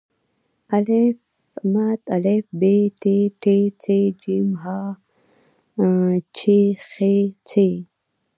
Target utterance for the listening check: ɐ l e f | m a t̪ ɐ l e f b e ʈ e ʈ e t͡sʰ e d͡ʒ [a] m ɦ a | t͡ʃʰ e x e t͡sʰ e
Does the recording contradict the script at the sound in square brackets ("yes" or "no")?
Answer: yes